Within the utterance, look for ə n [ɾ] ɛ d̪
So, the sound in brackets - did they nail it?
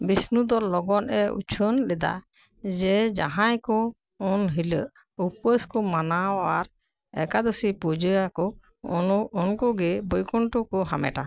no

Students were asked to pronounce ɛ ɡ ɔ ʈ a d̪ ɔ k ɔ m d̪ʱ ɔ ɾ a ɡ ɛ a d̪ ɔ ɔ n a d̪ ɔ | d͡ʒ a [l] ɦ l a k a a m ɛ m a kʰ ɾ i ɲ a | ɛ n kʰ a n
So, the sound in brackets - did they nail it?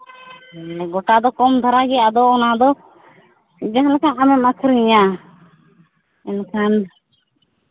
no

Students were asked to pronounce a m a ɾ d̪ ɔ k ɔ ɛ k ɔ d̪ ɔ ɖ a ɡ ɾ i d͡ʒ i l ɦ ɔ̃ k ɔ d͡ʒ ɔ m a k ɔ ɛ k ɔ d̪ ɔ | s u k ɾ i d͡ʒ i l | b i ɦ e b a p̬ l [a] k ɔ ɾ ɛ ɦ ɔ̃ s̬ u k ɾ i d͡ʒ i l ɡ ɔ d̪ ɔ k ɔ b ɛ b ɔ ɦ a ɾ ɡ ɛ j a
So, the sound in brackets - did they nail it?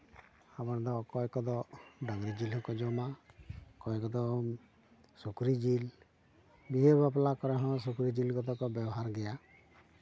yes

